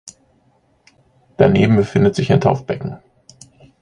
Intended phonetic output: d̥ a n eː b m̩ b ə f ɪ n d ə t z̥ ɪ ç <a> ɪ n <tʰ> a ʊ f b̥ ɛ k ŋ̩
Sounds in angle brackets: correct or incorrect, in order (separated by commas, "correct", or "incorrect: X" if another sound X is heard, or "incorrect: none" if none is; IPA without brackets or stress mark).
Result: correct, correct